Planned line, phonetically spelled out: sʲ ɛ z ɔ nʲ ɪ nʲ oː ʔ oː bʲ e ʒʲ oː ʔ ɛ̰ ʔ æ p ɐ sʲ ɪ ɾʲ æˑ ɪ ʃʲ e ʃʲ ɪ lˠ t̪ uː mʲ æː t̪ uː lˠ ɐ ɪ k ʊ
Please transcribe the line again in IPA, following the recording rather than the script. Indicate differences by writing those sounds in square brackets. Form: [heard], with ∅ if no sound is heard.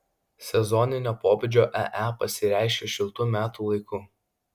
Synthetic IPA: sʲ ɛ z ɔ nʲ ɪ nʲ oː [p] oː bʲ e [d͡ʒʲ] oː ʔ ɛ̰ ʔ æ p ɐ sʲ ɪ ɾʲ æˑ ɪ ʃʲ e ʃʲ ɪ lˠ t̪ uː mʲ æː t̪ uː lˠ ɐ ɪ k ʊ